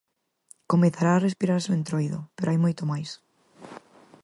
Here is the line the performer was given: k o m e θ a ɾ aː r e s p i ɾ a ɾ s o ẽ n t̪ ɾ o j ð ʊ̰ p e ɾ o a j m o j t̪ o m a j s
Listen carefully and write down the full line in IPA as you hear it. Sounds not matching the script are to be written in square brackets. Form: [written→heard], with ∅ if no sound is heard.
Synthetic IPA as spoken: k o m e θ a ɾ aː r e s p i ɾ a ɾ s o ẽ n t̪ ɾ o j ð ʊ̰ p e ɾ o a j m o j t̪ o m a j s